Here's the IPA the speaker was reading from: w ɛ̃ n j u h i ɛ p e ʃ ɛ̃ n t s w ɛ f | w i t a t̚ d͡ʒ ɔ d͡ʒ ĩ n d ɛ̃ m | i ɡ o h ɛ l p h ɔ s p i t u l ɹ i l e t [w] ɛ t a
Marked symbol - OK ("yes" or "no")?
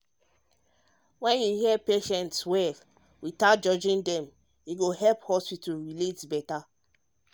no